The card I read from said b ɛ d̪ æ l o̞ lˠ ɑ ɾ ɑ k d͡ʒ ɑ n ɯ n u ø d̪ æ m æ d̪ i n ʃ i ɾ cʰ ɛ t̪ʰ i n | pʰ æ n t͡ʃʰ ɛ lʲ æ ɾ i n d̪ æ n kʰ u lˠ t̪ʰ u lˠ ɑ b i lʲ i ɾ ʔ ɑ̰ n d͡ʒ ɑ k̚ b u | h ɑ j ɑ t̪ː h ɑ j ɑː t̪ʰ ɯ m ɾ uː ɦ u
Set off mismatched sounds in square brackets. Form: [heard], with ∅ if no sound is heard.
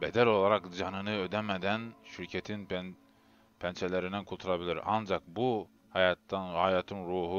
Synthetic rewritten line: b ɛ d̪ æ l o̞ lˠ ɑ ɾ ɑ k d͡ʒ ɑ n ɯ n [ɯ] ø d̪ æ m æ d̪ [æ] n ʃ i ɾ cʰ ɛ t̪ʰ i n | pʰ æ n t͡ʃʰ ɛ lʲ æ ɾ i n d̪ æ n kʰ u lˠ t̪ʰ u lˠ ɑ b i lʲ i ɾ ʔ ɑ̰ n d͡ʒ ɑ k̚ b u | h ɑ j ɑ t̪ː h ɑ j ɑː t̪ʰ ɯ [n] ɾ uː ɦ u